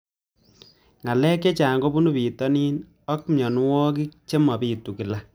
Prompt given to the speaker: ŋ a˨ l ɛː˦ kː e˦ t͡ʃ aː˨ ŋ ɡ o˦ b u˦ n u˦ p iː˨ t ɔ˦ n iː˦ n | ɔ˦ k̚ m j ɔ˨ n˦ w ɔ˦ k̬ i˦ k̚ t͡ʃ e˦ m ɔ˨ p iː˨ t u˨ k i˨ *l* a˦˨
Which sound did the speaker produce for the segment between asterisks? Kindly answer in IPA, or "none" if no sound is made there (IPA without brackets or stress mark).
l